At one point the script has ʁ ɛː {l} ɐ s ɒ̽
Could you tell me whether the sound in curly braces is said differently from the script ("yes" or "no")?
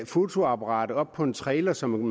no